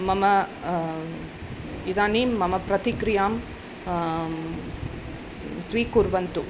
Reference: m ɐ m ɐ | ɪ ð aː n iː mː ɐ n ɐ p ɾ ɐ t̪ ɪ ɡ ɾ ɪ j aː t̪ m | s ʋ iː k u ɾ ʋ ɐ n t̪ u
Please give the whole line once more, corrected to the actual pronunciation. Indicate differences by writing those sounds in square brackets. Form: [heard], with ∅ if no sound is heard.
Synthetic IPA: m ɐ m ɐ | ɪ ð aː n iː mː ɐ [m] ɐ p ɾ ɐ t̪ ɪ [k] ɾ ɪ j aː [∅] m | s ʋ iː k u ɾ ʋ ɐ n t̪ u